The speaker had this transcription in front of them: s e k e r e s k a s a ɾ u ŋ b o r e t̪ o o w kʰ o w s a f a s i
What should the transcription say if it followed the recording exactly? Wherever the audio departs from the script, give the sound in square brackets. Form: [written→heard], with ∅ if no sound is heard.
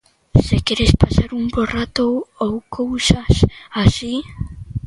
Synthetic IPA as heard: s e k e [r→ɾ] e s [k→p] a s a ɾ u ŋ b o r [e→a] t̪ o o w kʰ o w s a [f→s] a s i